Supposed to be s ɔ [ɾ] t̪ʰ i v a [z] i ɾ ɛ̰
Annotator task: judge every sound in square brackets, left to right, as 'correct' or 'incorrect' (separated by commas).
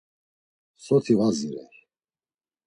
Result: incorrect, correct